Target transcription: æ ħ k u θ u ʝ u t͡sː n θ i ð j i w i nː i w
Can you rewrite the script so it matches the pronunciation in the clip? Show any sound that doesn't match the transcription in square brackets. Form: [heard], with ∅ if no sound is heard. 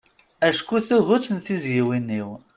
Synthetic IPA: æ [ʃ] k u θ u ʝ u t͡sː n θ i [z] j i w i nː i w